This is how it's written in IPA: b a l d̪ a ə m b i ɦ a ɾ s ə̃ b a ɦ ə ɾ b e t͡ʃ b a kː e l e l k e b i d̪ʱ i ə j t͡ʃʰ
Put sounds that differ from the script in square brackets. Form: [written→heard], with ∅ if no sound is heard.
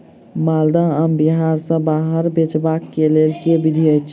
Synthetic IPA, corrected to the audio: [b→m] a l d̪ a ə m b i ɦ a ɾ s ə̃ b a ɦ ə ɾ b e t͡ʃ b a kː e l e l k e b i d̪ʱ i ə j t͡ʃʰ